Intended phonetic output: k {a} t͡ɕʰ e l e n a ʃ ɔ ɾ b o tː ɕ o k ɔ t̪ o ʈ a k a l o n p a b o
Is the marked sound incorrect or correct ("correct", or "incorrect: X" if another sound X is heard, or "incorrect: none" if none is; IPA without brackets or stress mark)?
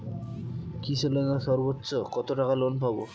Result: incorrect: i